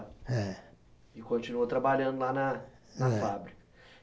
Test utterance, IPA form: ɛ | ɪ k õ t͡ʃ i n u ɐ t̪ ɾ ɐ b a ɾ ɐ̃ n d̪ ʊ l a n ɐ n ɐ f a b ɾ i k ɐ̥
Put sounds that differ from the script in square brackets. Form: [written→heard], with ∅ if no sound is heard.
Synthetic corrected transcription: ɛ | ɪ k õ t͡ʃ i n u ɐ t̪ ɾ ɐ b a [ɾ→ʎ] ɐ̃ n d̪ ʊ l a n ɐ n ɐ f a b ɾ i k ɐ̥